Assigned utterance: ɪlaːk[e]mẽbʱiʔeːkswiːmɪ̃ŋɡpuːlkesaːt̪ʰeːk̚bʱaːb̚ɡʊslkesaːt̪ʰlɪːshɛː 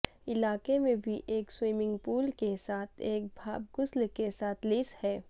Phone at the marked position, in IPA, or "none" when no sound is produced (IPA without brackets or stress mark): e